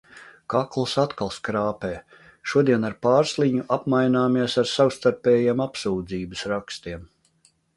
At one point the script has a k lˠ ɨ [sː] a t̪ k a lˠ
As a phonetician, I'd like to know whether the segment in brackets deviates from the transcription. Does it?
yes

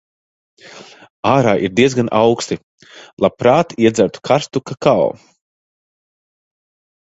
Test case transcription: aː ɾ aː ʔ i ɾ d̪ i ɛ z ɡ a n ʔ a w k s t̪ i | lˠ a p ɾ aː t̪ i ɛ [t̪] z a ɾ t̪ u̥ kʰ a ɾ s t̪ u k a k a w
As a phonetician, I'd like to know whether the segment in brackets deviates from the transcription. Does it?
yes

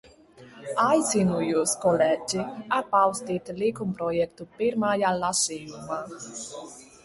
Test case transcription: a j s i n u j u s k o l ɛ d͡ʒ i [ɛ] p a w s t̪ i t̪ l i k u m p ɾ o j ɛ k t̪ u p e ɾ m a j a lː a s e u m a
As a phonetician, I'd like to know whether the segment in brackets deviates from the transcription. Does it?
yes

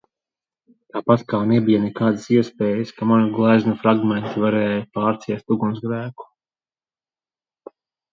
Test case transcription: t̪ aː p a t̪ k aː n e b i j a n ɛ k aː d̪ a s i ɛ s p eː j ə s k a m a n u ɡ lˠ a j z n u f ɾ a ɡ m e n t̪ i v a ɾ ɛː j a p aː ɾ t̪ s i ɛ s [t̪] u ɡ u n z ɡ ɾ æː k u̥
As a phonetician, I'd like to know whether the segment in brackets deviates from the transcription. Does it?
no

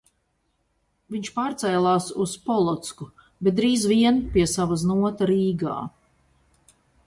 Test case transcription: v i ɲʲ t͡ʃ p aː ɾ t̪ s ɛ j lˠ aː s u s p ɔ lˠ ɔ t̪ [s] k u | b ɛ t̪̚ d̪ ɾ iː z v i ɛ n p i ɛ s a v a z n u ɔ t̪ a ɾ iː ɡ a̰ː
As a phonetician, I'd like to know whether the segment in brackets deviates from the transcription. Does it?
no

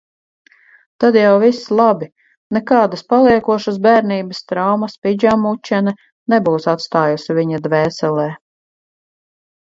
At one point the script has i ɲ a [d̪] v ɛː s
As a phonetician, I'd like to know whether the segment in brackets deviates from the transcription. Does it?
no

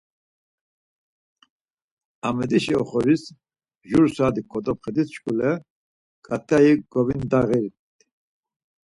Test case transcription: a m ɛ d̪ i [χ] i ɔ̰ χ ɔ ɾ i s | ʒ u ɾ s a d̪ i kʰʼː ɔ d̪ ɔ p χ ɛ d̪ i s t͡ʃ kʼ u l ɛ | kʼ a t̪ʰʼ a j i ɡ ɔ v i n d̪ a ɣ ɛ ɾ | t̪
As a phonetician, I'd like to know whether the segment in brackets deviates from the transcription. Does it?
yes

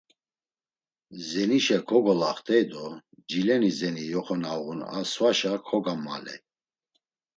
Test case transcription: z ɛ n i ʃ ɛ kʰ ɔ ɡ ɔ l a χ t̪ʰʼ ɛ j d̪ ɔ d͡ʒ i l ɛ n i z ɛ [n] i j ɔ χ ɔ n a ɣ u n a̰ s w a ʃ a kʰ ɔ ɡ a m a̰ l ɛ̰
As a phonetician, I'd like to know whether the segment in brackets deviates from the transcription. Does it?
no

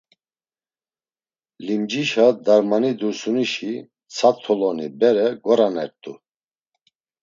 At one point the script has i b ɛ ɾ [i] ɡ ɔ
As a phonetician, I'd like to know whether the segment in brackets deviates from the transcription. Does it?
yes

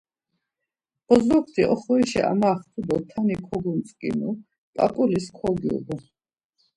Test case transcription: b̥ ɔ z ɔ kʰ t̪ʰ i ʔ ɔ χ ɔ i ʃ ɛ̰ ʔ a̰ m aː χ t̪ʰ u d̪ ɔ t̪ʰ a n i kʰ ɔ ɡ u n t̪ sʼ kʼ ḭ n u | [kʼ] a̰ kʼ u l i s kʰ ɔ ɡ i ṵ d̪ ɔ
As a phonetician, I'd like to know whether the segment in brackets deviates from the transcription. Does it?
yes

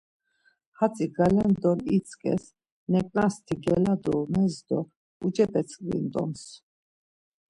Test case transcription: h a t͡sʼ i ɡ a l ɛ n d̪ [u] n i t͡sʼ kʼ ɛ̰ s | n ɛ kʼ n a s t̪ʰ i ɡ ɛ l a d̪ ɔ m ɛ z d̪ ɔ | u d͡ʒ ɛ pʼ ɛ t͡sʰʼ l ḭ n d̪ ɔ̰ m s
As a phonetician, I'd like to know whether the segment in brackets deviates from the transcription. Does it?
yes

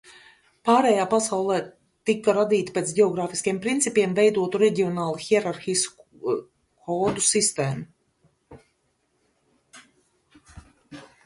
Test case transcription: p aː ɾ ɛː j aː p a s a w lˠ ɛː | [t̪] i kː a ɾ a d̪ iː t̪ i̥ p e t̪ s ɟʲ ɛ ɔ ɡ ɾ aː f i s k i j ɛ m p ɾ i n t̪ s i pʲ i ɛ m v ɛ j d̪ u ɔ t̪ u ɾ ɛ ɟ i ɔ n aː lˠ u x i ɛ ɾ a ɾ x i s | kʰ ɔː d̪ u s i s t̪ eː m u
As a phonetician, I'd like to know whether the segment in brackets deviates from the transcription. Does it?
no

